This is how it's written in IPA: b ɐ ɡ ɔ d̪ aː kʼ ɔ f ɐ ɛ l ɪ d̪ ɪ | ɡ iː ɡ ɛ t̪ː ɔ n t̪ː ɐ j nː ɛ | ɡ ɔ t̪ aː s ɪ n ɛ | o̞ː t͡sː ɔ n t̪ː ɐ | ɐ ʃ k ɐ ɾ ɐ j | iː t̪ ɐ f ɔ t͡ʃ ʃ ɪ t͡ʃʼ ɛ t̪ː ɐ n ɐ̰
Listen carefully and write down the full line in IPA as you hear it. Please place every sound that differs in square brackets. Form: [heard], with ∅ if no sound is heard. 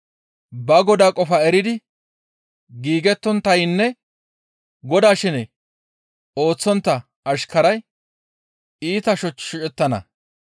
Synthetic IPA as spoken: b ɐ ɡ ɔ d̪ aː kʼ ɔ f ɐ ɛ [ɾ] ɪ d̪ ɪ | ɡ iː ɡ ɛ t̪ː ɔ n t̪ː ɐ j nː ɛ | ɡ ɔ [d̪] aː [ʃ] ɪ n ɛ | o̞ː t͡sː ɔ n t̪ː ɐ | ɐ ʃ k ɐ ɾ ɐ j | iː t̪ ɐ [ʃ] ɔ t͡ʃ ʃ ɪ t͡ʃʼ ɛ t̪ː ɐ n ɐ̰